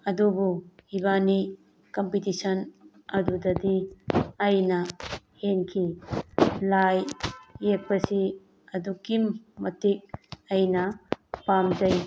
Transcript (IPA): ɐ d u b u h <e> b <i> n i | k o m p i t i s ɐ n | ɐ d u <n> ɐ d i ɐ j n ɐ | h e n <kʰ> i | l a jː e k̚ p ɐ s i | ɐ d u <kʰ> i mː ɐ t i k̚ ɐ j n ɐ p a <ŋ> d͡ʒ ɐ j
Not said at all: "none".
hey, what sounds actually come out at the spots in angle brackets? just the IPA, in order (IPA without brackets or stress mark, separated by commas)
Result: i, a, d, kʰ, k, m